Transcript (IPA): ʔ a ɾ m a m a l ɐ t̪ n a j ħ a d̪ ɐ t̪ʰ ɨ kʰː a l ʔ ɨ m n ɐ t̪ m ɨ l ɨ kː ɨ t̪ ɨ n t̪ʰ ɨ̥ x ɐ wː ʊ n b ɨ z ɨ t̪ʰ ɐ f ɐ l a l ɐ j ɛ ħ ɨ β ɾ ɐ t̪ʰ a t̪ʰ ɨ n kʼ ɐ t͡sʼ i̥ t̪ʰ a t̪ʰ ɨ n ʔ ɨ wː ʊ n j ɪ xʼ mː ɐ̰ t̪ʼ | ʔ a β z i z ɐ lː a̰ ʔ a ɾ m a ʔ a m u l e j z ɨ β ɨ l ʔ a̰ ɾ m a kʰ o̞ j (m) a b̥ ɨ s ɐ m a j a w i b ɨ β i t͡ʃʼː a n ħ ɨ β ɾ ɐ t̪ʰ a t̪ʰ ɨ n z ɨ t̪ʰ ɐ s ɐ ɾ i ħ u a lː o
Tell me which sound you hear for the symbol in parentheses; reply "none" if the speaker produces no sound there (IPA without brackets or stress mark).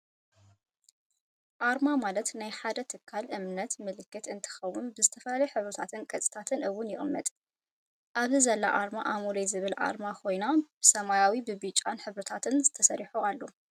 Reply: n